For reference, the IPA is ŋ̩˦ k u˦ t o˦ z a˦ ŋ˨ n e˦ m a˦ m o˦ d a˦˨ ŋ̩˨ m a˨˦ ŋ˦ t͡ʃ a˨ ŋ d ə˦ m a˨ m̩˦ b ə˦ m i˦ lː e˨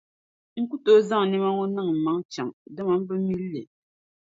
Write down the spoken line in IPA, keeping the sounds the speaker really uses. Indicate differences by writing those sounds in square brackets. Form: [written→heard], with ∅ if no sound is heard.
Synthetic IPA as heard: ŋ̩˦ k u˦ t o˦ z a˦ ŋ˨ n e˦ m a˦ [m→ŋ] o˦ [d→n] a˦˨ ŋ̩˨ m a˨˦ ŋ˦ t͡ʃ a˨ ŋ d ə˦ m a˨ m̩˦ b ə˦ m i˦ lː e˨